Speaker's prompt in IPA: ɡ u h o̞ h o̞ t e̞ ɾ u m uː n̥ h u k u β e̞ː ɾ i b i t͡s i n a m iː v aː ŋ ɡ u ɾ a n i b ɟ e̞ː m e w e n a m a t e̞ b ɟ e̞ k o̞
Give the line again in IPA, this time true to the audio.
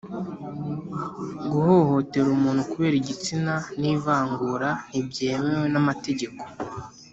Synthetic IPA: ɡ u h o̞ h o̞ t e̞ ɾ u m uː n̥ h u k u β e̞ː ɾ i ɟ i t͡s i n a n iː v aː ŋ ɡ u ɾ a n i b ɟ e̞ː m e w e n a m a t e̞ ɟ e̞ k o̞

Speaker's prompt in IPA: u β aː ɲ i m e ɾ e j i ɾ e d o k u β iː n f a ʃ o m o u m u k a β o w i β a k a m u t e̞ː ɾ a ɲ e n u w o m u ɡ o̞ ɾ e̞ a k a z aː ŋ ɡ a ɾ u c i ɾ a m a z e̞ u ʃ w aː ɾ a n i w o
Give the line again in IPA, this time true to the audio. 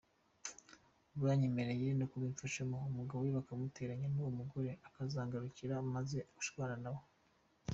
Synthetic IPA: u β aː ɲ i m e ɾ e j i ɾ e n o k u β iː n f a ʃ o m o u m u ɡ a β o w i β a k a m u t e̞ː ɾ a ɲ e n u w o m u ɡ o̞ ɾ e̞ a k a z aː ŋ ɡ a ɾ u c i ɾ a m a z e̞ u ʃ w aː ɾ a n a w o

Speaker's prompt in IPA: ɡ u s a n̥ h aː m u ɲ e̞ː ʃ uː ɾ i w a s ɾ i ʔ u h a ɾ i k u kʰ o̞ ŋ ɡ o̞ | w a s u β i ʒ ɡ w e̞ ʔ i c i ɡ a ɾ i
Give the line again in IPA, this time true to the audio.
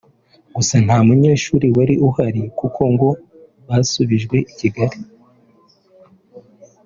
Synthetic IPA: ɡ u s a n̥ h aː m u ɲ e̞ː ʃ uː ɾ i w a ɾ i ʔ u h a ɾ i k u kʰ o̞ ŋ ɡ o̞ | β a s u β i ʒ ɡ w e̞ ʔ i c i ɡ a ɾ i

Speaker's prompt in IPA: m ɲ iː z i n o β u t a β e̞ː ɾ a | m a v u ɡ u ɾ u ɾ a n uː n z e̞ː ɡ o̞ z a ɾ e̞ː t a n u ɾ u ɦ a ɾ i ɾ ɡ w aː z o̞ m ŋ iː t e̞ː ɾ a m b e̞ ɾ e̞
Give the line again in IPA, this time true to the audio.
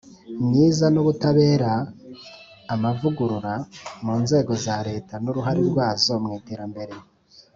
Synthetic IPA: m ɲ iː z a n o β u t a β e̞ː ɾ a | m a v u ɡ u ɾ u ɾ a m uː n z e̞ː ɡ o̞ z a ɾ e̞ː t a n u ɾ u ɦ a ɾ i ɾ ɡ w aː z o̞ m ŋ iː t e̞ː ɾ a m b e̞ ɾ e̞

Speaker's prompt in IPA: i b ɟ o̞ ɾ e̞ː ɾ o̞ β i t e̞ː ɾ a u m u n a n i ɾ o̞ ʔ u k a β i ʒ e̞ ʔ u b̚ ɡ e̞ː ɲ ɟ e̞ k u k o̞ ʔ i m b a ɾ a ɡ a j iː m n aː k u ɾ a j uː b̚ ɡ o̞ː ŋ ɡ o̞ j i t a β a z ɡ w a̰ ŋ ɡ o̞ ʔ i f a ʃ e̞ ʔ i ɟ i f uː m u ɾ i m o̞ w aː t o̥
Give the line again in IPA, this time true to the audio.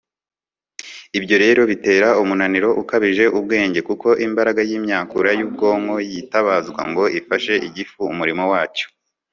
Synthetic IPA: i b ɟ o̞ ɾ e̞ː ɾ o̞ β i t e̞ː ɾ a u m u n a n i ɾ o̞ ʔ u k a β i ʒ e̞ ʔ u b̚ ɡ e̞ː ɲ ɟ e̞ k u k o̞ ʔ i m b a ɾ a ɡ a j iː m ɲ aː k u ɾ a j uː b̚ ɡ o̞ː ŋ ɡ o̞ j i t a β a z ɡ w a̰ ŋ ɡ o̞ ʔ i f a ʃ e̞ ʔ i ɟ i f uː m u ɾ i m o̞ w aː t͡ʃ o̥

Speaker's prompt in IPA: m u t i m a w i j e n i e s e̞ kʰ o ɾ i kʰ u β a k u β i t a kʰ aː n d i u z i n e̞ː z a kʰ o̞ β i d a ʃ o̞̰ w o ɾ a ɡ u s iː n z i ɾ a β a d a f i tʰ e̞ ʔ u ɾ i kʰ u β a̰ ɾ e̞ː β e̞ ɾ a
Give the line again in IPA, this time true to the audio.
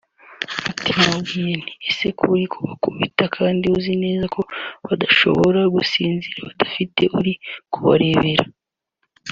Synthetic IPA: m u t i m a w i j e n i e s e̞ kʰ u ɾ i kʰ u β a k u β i t a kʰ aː n d i u z i n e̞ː z a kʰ o̞ β a d a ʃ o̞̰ β o ɾ a ɡ u s iː n z i ɾ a β a d a f i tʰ e̞ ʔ u ɾ i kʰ u β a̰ ɾ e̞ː β e̞ ɾ a

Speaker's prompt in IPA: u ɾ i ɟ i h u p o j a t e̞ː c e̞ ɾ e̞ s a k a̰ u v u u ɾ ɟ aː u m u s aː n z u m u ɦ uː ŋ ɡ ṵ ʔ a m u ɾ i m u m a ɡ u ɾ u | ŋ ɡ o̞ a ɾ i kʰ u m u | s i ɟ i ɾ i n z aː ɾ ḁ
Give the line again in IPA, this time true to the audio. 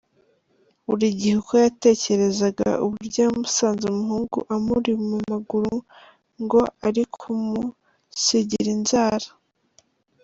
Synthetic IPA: u ɾ i ɟ i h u k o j a t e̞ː c e̞ ɾ e̞ z a ɡ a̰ u β u u ɾ ɟ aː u m u s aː n z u m u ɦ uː ŋ ɡ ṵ ʔ a m u ɾ i m u m a ɡ u ɾ u | ŋ ɡ o̞ a ɾ i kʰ u m u | s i ɟ i ɾ i n z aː ɾ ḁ

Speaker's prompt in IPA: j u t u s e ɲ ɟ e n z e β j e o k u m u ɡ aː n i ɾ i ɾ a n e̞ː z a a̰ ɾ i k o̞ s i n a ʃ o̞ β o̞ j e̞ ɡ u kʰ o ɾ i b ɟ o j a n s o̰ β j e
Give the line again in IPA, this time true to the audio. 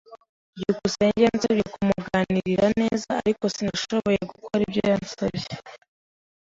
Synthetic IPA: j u k u s e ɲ ɟ e n z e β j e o k u m u ɡ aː n i ɾ i ɾ a n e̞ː z a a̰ ɾ i k o̞ s i n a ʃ o̞ β o̞ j e̞ ɡ u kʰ o ɾ i b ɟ o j a n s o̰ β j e

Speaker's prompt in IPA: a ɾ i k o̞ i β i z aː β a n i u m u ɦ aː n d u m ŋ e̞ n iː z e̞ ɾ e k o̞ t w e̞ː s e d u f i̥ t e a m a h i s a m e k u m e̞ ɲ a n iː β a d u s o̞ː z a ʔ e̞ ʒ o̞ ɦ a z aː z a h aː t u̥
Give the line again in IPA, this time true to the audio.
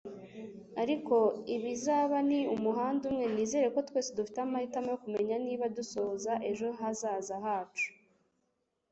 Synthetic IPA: a ɾ i k o̞ i β i z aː β a n i u m u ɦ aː n d u m ŋ e̞ n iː z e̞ ɾ e k o̞ t w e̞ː s e d u f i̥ t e a m a h i t a m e k u m e̞ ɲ a n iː β a d u s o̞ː z a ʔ e̞ ʒ o̞ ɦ a z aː z a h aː t͡ʃ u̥

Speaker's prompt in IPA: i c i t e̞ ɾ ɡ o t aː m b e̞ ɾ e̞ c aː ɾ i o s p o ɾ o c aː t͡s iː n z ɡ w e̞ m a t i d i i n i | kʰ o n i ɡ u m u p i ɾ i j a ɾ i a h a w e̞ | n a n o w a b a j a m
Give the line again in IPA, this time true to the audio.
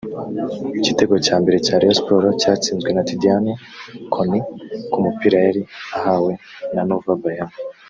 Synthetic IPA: i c i t e̞ ɡ o c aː m b e̞ ɾ e̞ c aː ɾ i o s p o ɾ o c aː t͡s iː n z ɡ w e̞ n a t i d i a n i | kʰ o n i k u m u p i ɾ a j a ɾ i a h a w e̞ | n a n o v a b a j a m

